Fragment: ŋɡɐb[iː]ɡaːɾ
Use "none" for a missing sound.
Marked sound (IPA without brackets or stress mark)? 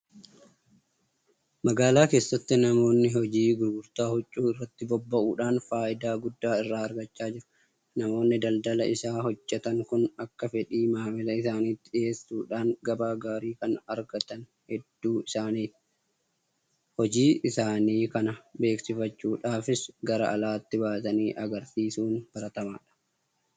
aː